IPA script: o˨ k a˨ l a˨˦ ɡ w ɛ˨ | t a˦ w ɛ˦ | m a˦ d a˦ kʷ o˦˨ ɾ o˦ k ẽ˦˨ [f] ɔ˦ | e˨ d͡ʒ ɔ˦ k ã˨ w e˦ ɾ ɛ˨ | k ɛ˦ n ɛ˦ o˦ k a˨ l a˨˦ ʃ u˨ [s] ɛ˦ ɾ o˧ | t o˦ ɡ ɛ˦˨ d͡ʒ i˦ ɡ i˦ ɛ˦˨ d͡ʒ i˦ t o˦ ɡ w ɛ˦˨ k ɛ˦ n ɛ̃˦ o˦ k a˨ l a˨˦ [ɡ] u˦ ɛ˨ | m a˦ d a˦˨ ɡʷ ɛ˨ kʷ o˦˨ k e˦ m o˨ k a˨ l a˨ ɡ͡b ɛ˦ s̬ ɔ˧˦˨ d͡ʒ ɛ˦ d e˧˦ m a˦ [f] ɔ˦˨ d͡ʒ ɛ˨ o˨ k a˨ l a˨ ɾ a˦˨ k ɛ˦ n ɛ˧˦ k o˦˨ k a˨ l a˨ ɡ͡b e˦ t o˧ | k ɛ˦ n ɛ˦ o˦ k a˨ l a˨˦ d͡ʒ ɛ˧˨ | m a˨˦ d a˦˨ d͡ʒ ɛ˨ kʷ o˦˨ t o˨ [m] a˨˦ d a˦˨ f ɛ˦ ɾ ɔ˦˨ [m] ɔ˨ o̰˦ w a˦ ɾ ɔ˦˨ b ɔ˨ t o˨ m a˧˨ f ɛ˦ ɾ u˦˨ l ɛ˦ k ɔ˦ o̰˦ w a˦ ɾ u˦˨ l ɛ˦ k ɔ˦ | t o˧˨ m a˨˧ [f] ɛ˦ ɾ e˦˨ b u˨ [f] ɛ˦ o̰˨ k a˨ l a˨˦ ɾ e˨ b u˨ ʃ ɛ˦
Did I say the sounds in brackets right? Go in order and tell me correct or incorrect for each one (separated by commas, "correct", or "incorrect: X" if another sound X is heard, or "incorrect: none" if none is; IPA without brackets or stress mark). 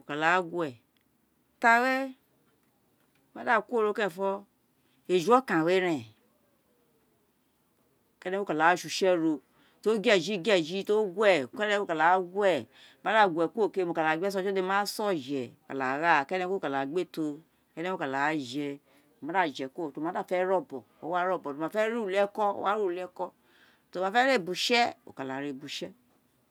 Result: correct, incorrect: ʃ, correct, incorrect: s, correct, incorrect: b, correct, incorrect: ʃ